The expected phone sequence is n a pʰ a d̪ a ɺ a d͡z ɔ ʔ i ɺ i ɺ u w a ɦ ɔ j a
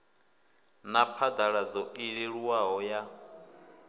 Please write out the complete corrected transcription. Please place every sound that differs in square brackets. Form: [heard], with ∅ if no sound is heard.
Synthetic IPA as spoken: n a pʰ a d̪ a ɺ a d͡z ɔ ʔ i ɺ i ɺ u w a ɦ ɔ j a